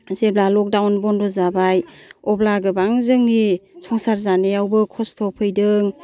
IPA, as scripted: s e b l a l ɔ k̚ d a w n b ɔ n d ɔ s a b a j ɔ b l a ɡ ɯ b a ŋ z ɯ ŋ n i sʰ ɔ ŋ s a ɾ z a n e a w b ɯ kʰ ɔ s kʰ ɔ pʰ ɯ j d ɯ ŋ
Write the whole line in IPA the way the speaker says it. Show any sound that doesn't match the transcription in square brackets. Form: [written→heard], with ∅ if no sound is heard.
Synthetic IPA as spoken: [s→z] e b l a l ɔ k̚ d a w n b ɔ n d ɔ [s→z] a b a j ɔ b l a ɡ ɯ b a ŋ z ɯ ŋ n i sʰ ɔ ŋ s a ɾ z a n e a w b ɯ kʰ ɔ s [kʰ→tʰ] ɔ pʰ ɯ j d ɯ ŋ